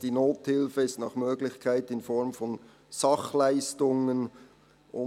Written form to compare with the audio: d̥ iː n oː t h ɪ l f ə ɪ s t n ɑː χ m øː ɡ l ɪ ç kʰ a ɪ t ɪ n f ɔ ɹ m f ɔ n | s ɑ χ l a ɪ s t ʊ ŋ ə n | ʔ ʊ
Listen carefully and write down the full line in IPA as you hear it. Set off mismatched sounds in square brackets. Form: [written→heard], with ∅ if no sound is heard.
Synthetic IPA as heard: d̥ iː n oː t h ɪ l f ə ɪ s t n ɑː χ m øː ɡ l ɪ ç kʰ a ɪ t ɪ n f ɔ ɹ m f ɔ n | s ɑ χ l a ɪ s t ʊ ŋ ə n | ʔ ʊ